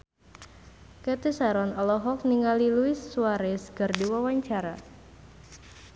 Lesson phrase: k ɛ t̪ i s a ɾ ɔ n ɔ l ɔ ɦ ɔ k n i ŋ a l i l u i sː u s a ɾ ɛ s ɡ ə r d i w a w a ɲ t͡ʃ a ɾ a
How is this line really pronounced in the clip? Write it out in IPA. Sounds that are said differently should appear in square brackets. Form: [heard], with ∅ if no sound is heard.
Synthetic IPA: k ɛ t̪ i s a ɾ ɔ n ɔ l ɔ ɦ ɔ k n i ŋ a l i l u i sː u [∅] a ɾ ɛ s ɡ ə r d i w a w a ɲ t͡ʃ a ɾ a